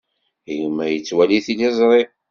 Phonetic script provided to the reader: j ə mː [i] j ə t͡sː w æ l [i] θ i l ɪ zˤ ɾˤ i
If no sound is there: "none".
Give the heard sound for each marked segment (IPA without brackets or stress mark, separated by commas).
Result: æ, i